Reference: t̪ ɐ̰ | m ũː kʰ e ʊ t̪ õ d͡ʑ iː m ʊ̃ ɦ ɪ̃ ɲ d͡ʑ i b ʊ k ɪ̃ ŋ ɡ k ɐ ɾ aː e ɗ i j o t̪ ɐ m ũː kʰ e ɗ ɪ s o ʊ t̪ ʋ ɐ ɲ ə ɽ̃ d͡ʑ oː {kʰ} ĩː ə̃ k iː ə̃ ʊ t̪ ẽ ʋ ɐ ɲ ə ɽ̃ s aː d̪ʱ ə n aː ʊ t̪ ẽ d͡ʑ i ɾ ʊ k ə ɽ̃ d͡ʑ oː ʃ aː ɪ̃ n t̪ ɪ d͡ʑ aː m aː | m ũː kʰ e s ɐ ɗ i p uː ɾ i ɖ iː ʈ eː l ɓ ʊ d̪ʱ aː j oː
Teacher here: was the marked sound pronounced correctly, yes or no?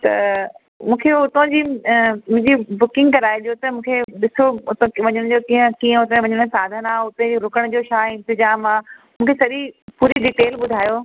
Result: no